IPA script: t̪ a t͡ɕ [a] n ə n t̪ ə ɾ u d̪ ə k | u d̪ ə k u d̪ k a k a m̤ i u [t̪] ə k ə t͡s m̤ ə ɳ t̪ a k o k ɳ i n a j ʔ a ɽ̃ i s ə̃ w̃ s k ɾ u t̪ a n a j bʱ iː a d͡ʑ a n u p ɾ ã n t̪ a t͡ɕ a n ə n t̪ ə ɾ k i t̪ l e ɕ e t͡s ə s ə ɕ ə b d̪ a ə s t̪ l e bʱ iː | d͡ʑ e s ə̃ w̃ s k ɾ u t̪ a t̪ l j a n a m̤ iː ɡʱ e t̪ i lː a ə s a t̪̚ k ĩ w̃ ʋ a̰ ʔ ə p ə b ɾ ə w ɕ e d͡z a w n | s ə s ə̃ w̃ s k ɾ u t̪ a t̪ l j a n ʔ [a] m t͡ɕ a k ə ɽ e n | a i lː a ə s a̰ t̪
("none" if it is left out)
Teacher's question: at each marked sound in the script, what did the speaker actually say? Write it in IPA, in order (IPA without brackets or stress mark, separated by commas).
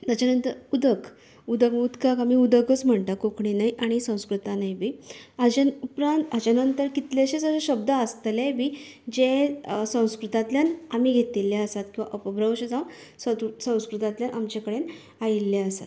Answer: a, d̪, a